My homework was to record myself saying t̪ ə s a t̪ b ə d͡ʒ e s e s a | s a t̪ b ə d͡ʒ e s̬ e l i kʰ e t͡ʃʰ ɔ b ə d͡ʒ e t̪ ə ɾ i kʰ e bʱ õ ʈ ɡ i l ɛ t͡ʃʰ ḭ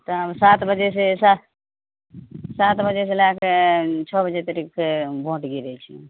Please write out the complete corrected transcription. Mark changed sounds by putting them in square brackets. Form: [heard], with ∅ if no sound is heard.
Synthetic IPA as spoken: t̪ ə s a t̪ b ə d͡ʒ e s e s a | s a t̪ b ə d͡ʒ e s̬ e l [a] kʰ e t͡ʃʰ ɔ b ə d͡ʒ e t̪ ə ɾ i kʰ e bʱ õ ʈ ɡ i [ɾ] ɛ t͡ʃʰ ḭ